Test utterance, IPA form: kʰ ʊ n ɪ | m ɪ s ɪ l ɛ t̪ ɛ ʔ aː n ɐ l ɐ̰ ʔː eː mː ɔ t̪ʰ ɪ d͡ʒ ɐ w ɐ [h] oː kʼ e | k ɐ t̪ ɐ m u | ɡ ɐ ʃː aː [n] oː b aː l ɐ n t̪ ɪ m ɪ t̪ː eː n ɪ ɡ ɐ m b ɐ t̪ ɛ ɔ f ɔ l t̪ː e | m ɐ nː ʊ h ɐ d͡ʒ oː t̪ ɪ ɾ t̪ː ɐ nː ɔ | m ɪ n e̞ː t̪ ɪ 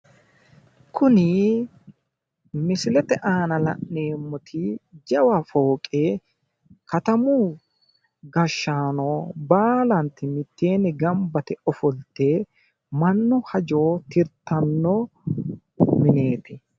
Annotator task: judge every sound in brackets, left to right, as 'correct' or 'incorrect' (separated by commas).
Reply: incorrect, correct